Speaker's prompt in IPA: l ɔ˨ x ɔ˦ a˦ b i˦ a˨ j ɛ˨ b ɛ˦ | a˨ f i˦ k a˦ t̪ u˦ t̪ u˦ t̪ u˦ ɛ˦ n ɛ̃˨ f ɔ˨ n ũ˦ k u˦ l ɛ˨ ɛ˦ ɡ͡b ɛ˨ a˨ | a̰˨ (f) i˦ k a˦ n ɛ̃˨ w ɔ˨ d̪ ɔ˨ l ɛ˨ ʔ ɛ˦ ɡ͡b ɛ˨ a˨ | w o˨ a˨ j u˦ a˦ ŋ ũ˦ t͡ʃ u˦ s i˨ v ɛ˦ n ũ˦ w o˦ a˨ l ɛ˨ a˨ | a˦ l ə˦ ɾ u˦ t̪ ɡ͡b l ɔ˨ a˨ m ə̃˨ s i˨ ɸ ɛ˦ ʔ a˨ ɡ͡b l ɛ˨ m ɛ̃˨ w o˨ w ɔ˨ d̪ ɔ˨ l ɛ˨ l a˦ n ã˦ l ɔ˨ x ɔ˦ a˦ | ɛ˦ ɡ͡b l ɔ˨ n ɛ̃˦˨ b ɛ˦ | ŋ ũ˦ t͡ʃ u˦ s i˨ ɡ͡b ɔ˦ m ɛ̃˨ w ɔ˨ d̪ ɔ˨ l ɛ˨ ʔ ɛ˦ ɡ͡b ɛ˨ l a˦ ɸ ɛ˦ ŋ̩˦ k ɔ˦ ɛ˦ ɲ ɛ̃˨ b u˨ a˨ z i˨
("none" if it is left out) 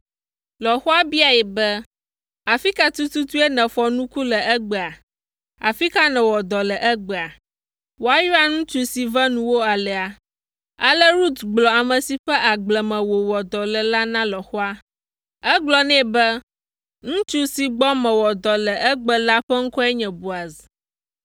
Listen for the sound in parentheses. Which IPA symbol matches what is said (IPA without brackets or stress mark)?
f